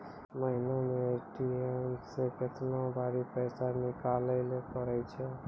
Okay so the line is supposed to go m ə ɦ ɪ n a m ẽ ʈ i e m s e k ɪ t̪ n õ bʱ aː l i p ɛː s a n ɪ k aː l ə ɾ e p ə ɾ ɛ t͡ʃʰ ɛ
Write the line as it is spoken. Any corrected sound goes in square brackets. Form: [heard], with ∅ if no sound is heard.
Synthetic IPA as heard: m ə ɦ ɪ n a m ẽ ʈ i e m s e k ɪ t̪ n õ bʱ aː [ɾ] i p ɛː s a n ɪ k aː l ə [l] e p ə ɾ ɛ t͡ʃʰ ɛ